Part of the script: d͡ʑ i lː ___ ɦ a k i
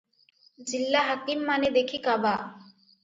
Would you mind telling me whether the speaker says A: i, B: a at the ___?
B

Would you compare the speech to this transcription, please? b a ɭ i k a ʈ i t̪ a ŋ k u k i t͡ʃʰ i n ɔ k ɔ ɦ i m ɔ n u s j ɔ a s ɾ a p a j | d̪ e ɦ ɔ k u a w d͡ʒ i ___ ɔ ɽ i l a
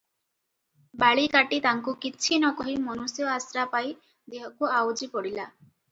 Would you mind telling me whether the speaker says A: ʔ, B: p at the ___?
B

